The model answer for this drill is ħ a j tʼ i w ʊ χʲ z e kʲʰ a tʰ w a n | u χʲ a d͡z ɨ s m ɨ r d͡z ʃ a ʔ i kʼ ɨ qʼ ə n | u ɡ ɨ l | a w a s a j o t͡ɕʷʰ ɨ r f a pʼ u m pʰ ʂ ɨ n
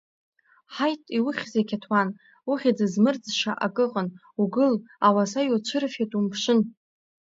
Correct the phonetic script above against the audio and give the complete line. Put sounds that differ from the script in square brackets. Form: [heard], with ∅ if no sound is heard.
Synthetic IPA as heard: ħ a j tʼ i w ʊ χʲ z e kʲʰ a tʰ w a n | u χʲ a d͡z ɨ [z] m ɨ r d͡z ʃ a ʔ [a] kʼ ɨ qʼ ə n | u ɡ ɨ l | a w a s a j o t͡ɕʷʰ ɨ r f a [tʼ] u m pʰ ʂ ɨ n